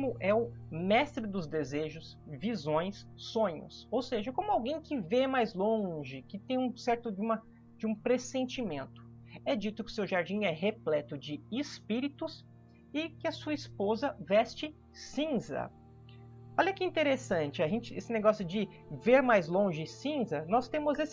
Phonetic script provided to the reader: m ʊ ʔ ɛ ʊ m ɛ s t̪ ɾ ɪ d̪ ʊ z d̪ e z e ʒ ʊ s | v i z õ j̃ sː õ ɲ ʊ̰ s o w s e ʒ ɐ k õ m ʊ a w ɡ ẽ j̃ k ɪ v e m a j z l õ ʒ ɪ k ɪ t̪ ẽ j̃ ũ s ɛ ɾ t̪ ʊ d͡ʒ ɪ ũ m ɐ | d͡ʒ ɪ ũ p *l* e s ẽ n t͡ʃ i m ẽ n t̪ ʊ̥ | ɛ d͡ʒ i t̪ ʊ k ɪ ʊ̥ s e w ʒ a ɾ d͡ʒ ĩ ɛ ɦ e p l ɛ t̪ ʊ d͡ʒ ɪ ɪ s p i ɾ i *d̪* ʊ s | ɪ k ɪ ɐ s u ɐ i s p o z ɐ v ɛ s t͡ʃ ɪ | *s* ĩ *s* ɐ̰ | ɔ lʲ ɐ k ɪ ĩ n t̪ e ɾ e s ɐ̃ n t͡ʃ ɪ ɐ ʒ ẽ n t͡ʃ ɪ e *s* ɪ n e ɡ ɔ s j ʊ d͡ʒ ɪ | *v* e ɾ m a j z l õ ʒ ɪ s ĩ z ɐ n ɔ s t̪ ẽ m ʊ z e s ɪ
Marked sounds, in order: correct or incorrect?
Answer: incorrect, incorrect, correct, incorrect, correct, correct

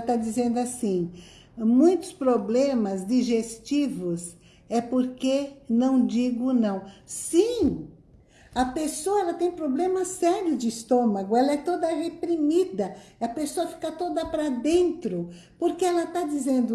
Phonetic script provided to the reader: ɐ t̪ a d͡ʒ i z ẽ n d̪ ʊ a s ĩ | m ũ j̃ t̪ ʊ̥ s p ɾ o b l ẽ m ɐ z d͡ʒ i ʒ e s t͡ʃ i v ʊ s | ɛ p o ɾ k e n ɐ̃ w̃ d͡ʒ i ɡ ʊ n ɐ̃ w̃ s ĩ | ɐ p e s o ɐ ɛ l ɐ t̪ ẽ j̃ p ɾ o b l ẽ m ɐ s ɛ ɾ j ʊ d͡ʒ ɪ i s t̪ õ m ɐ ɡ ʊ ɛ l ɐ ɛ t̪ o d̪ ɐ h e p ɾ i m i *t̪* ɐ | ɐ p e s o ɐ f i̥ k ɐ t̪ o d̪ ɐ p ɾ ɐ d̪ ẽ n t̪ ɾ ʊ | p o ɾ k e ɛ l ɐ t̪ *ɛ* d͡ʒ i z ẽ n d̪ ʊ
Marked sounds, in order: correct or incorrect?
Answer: incorrect, incorrect

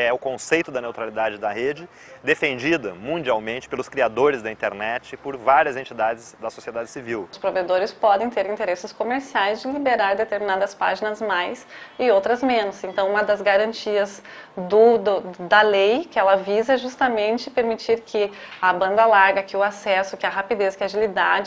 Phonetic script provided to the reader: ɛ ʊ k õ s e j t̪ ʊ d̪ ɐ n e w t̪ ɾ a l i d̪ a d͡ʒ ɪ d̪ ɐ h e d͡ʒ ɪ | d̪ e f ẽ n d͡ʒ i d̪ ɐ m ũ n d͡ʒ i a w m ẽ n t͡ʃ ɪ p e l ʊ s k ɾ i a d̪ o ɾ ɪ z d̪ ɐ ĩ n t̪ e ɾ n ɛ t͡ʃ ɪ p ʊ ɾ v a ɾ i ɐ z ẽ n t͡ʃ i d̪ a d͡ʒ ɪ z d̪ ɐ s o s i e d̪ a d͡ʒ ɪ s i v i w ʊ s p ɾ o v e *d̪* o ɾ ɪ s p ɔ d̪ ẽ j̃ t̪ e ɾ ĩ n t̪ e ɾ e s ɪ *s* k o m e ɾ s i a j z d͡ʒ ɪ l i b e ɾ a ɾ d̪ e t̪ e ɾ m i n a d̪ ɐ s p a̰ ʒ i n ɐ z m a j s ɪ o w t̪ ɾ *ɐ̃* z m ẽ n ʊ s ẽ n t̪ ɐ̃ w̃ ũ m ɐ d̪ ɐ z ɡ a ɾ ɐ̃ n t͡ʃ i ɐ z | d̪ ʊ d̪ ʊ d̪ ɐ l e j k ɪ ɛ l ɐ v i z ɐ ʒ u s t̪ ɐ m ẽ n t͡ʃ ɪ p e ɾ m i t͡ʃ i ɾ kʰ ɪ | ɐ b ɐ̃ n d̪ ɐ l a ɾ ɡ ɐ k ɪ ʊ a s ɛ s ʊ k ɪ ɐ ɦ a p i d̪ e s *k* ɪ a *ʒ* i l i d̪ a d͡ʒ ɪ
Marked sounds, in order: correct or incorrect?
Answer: correct, correct, incorrect, correct, correct

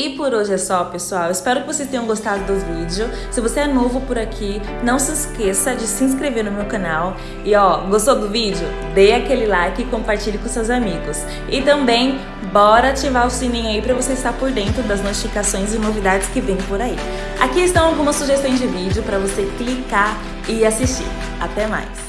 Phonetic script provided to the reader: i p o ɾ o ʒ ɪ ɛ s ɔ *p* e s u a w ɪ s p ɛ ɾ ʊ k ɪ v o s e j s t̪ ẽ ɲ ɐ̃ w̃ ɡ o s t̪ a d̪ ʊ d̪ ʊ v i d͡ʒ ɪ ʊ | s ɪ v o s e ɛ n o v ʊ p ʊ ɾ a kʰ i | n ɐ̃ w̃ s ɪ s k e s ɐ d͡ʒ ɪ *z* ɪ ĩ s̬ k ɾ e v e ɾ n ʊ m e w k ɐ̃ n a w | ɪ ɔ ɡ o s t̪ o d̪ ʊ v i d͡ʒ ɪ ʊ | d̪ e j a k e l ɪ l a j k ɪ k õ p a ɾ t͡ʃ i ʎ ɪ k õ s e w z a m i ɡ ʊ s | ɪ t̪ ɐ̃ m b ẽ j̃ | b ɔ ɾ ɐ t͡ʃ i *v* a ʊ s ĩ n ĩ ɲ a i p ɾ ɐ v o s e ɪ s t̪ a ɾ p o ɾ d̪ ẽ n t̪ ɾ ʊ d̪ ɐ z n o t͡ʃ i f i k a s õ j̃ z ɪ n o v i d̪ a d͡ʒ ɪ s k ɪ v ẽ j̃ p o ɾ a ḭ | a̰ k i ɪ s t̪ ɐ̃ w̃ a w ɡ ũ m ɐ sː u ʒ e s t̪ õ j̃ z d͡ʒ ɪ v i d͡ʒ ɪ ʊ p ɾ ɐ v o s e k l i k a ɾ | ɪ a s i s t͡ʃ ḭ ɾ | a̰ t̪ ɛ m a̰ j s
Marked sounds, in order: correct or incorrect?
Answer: correct, incorrect, correct

